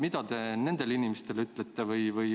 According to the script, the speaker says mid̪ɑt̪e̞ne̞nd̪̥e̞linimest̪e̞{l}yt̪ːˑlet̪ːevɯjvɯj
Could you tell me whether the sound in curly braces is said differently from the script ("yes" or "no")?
no